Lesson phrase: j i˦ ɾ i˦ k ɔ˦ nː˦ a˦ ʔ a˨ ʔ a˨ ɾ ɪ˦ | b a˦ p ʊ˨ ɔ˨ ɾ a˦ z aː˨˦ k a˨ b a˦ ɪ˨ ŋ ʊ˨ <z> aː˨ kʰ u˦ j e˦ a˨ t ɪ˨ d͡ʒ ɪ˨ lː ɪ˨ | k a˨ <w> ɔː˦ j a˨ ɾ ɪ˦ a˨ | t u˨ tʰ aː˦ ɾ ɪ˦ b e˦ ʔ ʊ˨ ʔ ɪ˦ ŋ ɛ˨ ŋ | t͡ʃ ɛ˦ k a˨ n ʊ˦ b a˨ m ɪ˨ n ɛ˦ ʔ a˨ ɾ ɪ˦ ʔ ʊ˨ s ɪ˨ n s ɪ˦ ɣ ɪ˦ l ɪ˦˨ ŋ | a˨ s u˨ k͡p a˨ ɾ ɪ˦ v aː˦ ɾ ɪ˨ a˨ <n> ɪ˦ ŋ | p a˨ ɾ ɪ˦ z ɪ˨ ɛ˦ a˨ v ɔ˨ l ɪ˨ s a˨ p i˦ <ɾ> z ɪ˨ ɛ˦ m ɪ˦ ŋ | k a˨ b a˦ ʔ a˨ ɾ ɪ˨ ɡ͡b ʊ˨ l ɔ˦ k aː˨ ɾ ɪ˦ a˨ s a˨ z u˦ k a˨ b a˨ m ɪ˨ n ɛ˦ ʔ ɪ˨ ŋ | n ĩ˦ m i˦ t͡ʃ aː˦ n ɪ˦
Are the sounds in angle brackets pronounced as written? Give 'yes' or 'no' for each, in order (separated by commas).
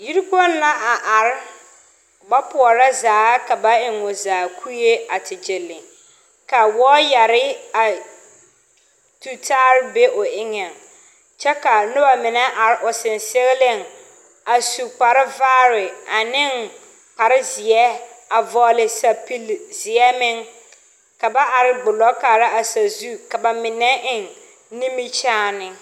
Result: yes, yes, yes, no